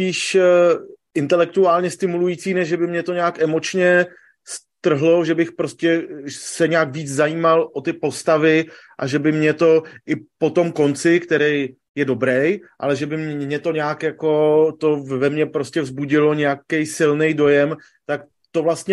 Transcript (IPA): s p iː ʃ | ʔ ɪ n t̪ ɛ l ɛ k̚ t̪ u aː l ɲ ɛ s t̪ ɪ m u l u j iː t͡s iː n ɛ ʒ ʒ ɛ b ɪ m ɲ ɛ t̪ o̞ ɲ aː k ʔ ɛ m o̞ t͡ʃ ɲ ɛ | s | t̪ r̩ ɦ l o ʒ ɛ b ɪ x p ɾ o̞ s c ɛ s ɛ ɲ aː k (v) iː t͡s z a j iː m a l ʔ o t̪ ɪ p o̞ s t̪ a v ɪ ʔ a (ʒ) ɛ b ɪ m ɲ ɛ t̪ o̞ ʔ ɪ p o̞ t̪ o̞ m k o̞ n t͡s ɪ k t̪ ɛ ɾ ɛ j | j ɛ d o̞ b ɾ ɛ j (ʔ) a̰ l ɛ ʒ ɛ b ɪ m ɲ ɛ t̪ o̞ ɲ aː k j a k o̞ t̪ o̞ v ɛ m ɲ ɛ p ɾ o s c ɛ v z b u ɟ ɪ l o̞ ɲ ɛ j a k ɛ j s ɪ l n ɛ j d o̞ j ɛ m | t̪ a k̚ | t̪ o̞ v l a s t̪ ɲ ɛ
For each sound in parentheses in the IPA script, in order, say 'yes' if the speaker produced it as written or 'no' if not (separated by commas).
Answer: yes, yes, yes